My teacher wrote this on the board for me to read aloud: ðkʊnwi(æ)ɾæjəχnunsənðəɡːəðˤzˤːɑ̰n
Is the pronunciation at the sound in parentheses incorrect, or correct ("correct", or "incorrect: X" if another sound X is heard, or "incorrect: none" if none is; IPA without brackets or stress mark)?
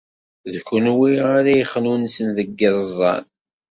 incorrect: a